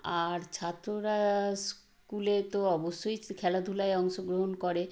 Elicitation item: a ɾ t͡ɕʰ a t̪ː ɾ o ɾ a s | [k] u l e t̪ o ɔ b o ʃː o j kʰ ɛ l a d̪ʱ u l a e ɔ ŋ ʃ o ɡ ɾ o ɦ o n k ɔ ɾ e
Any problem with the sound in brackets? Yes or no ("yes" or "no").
no